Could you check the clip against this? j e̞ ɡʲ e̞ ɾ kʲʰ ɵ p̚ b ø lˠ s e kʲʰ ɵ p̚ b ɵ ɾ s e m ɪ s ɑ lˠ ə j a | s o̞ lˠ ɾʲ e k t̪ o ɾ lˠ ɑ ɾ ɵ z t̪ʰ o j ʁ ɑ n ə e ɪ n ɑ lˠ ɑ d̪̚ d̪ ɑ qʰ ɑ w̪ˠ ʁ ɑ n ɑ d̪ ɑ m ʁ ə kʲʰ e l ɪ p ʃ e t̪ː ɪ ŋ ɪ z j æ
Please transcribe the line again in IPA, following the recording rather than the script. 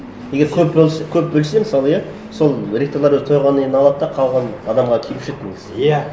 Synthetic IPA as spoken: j e̞ ɡʲ e̞ ɾ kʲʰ ɵ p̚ b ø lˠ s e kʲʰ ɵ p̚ b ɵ l s e m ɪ s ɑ lˠ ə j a | s o̞ lˠ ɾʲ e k t̪ o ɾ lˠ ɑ ɾ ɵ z t̪ʰ o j ʁ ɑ n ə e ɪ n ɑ lˠ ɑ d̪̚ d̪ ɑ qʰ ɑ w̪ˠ ʁ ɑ n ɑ d̪ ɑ m ʁ ɑ kʲʰ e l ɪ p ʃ e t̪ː ɪ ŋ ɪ z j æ